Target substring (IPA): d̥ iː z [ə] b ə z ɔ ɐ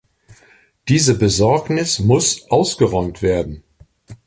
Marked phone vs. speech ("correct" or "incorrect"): correct